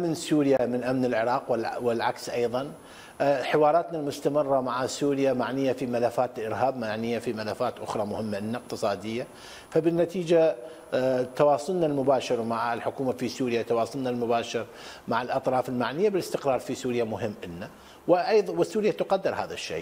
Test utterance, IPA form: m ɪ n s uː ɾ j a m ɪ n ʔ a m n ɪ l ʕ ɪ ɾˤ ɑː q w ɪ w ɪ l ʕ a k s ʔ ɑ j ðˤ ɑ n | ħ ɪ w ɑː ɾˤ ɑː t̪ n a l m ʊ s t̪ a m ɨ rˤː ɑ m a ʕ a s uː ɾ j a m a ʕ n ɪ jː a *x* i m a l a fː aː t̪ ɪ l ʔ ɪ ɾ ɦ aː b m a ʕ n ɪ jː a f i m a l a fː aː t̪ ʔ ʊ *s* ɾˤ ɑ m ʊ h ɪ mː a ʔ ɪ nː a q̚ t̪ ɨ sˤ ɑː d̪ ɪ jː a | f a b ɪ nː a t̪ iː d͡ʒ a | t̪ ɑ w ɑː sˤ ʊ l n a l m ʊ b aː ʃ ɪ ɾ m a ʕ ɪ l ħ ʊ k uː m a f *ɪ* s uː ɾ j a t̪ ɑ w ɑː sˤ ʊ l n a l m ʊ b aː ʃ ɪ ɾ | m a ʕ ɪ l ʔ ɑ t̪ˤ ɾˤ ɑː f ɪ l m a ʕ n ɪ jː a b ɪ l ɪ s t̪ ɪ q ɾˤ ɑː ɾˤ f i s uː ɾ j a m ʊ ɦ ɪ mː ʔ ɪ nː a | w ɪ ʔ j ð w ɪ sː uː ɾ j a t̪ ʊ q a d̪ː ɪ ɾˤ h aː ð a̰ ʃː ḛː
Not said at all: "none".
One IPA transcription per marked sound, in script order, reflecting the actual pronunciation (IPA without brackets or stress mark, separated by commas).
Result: f, x, i